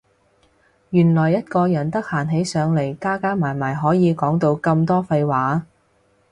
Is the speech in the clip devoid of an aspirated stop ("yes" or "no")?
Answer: yes